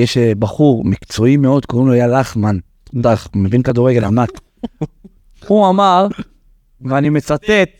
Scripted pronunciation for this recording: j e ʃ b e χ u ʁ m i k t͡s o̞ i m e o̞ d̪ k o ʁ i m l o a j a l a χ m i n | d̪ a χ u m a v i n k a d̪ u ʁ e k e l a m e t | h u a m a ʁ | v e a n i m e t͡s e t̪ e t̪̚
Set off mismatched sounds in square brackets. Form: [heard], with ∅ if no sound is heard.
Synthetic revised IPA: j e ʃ b [a] χ u ʁ m i k t͡s o̞ i m e o̞ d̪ k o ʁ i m l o a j a l a χ m [a] n | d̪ a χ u m [e] v i n k a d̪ u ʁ e [ɡ] e l a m [a] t | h u a m a ʁ | v e a n i m e t͡s [a] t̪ e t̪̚